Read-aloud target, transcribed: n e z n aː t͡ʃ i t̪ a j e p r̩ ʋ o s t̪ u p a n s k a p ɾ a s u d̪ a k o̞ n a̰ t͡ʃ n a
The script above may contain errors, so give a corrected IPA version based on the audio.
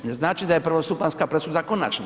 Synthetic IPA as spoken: n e z n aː t͡ʃ i d̪ a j e p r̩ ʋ o s t̪ u p a n s k a p ɾ e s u d̪ a k o̞ n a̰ t͡ʃ n a